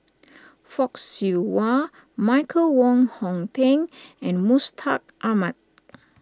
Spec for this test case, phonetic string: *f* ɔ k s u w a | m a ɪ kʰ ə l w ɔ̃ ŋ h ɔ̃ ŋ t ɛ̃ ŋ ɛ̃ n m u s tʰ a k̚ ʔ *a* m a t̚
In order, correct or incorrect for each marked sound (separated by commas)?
correct, correct